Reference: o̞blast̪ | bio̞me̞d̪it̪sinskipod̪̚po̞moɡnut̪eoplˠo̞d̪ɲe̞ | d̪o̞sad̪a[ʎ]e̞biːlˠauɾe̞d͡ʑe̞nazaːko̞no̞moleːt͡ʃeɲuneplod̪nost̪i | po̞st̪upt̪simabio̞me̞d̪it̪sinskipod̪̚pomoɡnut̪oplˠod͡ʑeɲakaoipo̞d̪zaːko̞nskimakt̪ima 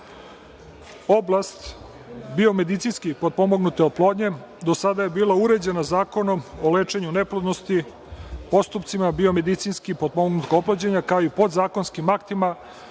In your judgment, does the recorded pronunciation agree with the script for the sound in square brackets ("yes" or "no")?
no